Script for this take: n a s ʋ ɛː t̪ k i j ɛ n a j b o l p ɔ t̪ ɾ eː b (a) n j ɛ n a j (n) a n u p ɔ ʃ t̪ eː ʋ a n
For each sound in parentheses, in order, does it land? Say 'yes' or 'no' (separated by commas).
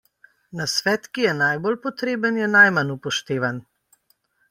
no, no